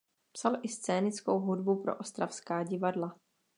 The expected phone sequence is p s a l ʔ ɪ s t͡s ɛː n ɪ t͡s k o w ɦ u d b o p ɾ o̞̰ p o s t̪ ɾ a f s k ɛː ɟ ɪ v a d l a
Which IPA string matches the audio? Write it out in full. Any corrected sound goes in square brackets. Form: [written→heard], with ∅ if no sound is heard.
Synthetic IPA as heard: p s a l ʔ ɪ s t͡s ɛː n ɪ t͡s k o w ɦ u d b [o→u] p ɾ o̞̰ [p→ʔ] o s t̪ ɾ a f s k [ɛː→aː] ɟ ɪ v a d l a

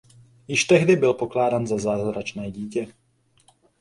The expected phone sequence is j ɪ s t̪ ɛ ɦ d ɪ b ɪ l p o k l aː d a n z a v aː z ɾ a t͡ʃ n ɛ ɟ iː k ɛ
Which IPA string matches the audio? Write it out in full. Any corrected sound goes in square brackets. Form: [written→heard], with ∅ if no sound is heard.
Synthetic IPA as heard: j ɪ [s→ʃ] t̪ ɛ ɦ d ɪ b ɪ l p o k l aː d a n z a [v→z] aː z ɾ a t͡ʃ n [ɛ→ɛː] ɟ iː [k→c] ɛ

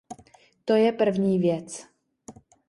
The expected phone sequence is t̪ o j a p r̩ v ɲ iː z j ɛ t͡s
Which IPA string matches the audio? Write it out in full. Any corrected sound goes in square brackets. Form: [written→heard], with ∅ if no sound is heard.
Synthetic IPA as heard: t̪ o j [a→ɛ] p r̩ v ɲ iː [z→v] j ɛ t͡s

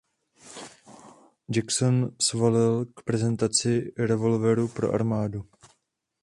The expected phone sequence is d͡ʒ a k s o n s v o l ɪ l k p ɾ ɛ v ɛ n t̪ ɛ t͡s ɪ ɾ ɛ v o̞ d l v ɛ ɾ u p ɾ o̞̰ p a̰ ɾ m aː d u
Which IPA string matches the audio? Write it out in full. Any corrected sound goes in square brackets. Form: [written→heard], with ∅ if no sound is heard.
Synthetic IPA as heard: d͡ʒ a k s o n s v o l ɪ l k p ɾ ɛ [v→z] ɛ n t̪ [ɛ→a] t͡s ɪ ɾ ɛ v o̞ [d→∅] l v ɛ ɾ u p ɾ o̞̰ [p→ʔ] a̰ ɾ m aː d u

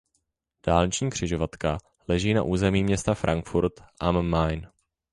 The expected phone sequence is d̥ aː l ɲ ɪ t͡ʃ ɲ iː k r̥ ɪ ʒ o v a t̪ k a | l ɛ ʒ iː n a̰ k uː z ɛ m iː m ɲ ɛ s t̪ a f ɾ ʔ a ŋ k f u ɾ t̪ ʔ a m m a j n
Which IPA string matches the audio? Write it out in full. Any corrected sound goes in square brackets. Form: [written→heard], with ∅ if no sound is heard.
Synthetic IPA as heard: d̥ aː l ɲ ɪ t͡ʃ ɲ iː k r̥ ɪ ʒ o v a t̪ k a | l ɛ ʒ iː n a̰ [k→ʔ] uː z ɛ m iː m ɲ ɛ s t̪ a f ɾ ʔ a ŋ k f u ɾ t̪ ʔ a m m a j n

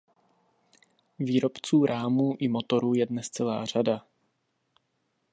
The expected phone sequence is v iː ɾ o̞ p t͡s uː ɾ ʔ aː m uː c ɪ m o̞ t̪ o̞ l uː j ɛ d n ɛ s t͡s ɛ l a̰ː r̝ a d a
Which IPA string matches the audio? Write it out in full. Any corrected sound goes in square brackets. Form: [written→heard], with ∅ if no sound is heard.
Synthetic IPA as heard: v iː ɾ o̞ p t͡s uː ɾ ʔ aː m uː [c→ʔ] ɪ m o̞ t̪ o̞ [l→ɾ] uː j ɛ d n ɛ s t͡s ɛ l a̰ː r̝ a d a

